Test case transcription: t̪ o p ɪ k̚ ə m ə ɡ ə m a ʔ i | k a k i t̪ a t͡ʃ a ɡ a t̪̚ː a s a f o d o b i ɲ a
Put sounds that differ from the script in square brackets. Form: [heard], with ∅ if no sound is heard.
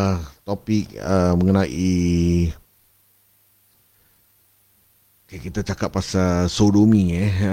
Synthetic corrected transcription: t̪ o p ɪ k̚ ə m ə [ŋ] ə [n] a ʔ i | k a k i t̪ a t͡ʃ a [k] a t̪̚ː a s a [s] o d o [m] i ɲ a